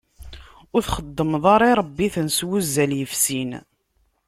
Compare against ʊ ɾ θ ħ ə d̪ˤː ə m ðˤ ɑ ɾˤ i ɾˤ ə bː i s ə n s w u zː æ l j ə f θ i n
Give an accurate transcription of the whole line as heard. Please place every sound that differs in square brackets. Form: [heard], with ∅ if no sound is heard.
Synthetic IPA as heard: ʊ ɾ θ [χ] ə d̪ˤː ə m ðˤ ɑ ɾˤ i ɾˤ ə bː i [θ] ə n s w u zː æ l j ə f [s] i n